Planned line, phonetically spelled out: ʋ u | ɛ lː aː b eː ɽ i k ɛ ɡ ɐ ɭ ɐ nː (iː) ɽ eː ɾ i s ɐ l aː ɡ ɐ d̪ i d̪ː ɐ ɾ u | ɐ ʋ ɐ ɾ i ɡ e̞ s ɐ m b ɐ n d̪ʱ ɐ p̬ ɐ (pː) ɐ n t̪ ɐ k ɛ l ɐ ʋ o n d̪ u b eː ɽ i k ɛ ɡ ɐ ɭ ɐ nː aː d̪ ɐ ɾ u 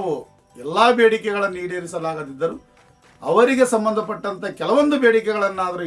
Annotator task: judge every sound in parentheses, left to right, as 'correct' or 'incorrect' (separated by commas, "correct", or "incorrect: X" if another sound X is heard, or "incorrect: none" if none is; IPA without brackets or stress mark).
correct, incorrect: ʈː